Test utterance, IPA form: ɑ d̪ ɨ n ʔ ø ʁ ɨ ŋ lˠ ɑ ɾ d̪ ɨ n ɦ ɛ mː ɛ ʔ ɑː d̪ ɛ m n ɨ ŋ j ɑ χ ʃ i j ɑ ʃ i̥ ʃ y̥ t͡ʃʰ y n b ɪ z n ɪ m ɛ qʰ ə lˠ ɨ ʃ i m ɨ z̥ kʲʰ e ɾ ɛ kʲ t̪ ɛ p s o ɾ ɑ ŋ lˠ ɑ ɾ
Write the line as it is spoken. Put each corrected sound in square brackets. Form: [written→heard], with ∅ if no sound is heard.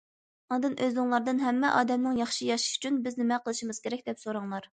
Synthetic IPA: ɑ d̪ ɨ n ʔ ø [ʁ→z] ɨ ŋ lˠ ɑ ɾ d̪ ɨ n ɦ ɛ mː ɛ ʔ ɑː d̪ ɛ m n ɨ ŋ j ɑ χ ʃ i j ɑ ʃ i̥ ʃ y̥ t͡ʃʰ y n b ɪ z n ɪ m ɛ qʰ ə lˠ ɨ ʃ i m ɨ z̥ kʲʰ e ɾ ɛ kʲ [t̪→d̪] ɛ p s o ɾ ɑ ŋ lˠ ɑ ɾ